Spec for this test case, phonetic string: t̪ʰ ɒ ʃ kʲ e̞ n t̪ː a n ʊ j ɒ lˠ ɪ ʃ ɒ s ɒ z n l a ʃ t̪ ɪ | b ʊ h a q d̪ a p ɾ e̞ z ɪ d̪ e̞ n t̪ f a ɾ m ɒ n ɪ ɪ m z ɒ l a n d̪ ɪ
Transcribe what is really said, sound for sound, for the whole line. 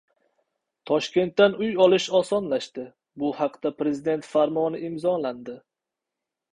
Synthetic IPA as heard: t̪ʰ ɒ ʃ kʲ e̞ n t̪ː a n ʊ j ɒ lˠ ɪ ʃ ɒ s ɒ n l a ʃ t̪ ɪ | b ʊ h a q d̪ a p ɾ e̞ z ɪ d̪ e̞ n t̪ f a ɾ m ɒ n ɪ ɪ m z ɒ l a n d̪ ɪ